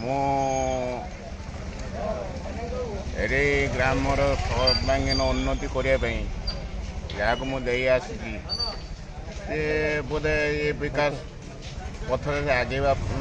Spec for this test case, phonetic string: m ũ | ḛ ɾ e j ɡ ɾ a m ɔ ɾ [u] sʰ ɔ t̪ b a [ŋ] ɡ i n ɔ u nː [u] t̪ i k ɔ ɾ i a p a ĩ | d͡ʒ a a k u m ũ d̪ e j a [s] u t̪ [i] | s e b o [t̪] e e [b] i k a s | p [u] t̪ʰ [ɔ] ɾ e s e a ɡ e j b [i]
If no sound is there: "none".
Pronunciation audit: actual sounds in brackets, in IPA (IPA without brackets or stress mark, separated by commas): ɔ, ŋ, ɔ, s, i, d̪, b, ɔ, ɔ, a